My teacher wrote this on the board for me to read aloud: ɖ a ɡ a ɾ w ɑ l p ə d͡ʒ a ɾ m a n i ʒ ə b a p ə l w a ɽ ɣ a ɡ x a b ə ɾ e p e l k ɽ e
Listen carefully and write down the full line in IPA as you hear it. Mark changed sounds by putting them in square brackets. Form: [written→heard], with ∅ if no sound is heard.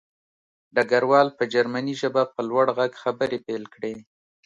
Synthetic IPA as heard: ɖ a ɡ a ɾ w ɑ l p ə d͡ʒ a ɾ m a n i ʒ ə b a p ə l w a ɽ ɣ a ɡ x a b ə ɾ e p e l k ɽ e